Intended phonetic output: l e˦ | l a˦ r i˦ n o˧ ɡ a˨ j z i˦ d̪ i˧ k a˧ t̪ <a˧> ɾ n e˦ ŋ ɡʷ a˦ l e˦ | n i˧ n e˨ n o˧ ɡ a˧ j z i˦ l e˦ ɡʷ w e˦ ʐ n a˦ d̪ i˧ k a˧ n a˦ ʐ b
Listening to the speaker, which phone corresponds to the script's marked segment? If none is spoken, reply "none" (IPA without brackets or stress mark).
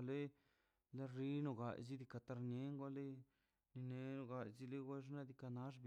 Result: a˧